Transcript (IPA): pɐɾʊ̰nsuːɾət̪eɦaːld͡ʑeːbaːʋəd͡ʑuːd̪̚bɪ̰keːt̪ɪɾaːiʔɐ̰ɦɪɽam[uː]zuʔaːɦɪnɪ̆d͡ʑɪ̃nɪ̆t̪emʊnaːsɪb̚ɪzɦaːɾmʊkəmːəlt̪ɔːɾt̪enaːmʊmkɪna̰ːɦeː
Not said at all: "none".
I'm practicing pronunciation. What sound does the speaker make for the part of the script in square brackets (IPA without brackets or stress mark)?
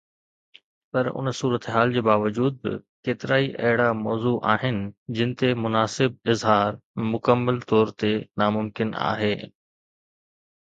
ɔː